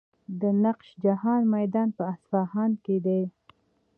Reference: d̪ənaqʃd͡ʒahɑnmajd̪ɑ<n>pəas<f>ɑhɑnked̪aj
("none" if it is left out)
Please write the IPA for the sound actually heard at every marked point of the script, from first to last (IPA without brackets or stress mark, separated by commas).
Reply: n, f